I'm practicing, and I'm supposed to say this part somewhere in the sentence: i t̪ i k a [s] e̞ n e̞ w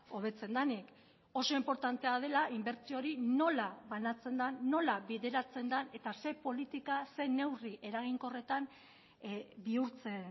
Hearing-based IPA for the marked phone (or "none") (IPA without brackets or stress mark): s